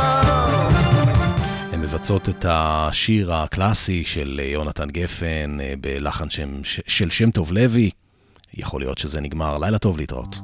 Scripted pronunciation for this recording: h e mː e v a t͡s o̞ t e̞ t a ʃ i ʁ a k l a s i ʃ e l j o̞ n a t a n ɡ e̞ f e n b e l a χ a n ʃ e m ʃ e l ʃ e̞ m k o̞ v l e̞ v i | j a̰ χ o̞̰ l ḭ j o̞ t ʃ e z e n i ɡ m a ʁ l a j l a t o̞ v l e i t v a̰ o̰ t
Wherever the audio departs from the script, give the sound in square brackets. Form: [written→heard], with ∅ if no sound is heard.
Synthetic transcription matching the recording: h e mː e v a t͡s o̞ t e̞ t a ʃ i ʁ a k l a s i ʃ e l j o̞ n a t a n ɡ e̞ f e n b e l a χ a n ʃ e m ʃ e l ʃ e̞ m [k→t] o̞ v l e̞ v i | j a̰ χ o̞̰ l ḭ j o̞ t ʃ e z e n i ɡ m a ʁ l a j l a t o̞ v l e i t [v→ʁ] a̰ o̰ t